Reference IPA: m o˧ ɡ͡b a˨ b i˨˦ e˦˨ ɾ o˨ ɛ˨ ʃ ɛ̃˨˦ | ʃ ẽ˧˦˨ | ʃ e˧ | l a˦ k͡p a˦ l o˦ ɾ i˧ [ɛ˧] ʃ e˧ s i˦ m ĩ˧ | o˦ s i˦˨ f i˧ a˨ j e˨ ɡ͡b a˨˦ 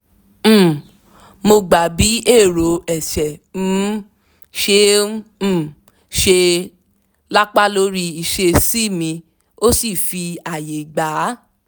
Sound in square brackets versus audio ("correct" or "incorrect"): incorrect